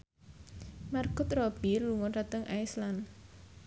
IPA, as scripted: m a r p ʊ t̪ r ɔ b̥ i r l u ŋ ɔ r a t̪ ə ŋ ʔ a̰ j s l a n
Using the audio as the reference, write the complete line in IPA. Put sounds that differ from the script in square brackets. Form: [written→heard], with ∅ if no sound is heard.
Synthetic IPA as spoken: m a r [p→k] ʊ t̪ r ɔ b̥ i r l u ŋ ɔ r a t̪ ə ŋ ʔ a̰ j s l a n

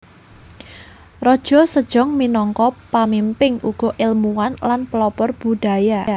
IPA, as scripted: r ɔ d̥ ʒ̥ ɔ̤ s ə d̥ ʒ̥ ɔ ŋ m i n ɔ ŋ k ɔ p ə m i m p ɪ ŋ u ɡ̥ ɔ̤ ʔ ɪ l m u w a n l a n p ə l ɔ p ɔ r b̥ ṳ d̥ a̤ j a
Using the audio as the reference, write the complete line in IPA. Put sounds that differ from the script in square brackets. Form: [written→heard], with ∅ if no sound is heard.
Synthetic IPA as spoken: r ɔ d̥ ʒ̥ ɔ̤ s ə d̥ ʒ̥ ɔ ŋ m i n ɔ ŋ k ɔ p [ə→a] m i m p ɪ ŋ u ɡ̥ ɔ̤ ʔ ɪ l m u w a n l a n p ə l ɔ p ɔ r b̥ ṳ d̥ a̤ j a

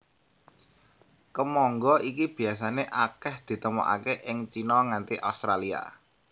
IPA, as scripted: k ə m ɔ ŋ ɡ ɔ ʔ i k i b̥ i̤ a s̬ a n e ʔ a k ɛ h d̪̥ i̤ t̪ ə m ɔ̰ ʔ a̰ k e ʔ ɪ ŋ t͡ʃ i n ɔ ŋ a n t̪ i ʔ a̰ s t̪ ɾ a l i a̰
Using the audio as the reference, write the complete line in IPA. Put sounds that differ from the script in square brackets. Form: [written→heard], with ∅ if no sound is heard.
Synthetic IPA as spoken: k ə m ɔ ŋ ɡ ɔ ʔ i k i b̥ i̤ a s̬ a n e ʔ a k ɛ h d̪̥ i̤ t̪ ə m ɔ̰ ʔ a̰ k e ʔ ɪ ŋ t͡ʃ i n ɔ ŋ a n t̪ i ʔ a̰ s t̪ ɾ a l i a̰

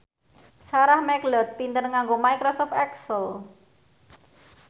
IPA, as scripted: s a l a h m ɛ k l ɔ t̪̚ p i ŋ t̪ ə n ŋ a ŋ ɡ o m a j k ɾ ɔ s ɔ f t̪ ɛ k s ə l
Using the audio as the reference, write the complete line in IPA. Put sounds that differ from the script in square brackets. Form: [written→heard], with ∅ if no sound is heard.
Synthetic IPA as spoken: s a [l→ɾ] a h m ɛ k l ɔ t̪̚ p i [ŋ→n] t̪ ə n ŋ a ŋ ɡ o m a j k ɾ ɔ s ɔ f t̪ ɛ k s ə l

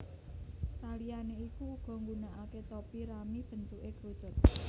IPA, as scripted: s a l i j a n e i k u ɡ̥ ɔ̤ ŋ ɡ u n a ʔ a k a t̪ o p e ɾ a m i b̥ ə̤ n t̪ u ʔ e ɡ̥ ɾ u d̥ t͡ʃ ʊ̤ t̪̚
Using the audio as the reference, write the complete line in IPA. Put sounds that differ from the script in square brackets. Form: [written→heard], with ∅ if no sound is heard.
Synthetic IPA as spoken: s a l i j a n e i k u ɡ̥ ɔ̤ ŋ ɡ u n a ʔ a k [a→e] t̪ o p [e→i] ɾ a m i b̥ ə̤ n t̪ u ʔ e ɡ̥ ɾ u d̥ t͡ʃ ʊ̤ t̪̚

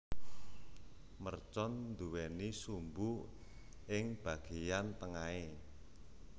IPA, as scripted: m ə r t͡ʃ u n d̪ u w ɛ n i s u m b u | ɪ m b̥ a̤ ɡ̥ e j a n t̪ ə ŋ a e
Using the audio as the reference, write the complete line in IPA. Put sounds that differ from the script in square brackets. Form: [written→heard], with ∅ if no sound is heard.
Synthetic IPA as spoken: m ə r t͡ʃ [u→ɔ] n d̪ u w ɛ n i s u m b u | ɪ [m→ŋ] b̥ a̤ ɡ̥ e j a n t̪ ə ŋ a e

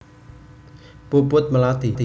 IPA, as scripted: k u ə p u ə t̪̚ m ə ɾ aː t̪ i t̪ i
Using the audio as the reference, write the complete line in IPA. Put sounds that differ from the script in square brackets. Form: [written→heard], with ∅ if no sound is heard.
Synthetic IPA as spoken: [k→p] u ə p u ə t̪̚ m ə [ɾ→l] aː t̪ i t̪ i

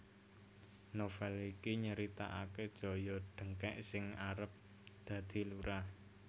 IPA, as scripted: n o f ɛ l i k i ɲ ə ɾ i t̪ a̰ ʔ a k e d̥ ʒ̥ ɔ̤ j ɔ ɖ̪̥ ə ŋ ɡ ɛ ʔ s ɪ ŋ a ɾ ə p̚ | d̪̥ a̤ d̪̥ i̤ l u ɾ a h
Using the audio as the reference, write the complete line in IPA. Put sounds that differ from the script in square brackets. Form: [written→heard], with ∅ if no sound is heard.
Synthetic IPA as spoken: n o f ɛ l i k i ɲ ə ɾ i t̪ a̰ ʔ a k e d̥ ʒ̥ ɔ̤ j ɔ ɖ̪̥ ə ŋ [ɡ→k] ɛ ʔ s ɪ ŋ a ɾ ə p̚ | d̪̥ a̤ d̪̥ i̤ l u ɾ a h

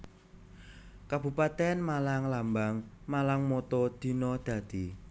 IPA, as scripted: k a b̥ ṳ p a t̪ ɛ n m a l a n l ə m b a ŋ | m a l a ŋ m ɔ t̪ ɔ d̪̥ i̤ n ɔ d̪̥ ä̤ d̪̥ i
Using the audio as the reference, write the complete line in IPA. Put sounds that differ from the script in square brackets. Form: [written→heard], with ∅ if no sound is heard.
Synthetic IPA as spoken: k a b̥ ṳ p a t̪ ɛ n m a l a [n→ŋ] l [ə→a] m b a ŋ | m a l a ŋ m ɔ t̪ ɔ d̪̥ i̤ n ɔ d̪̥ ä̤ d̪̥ i

